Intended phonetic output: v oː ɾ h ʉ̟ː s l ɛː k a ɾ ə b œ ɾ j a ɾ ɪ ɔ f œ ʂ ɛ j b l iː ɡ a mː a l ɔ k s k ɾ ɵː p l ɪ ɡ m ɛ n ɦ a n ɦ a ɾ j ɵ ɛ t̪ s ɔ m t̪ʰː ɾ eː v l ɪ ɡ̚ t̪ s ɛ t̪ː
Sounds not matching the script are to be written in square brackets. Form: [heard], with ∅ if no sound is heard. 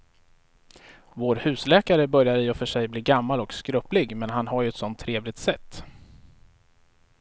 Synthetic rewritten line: v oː ɾ h ʉ̟ː s l ɛː k a ɾ ə b œ ɾ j a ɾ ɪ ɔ f œ ʂ ɛ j b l iː ɡ a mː a l ɔ k s k ɾ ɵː p l ɪ ɡ m ɛ n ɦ a n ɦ a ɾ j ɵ ɛ t̪ s ɔ [n] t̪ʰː ɾ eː v l ɪ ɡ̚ t̪ s ɛ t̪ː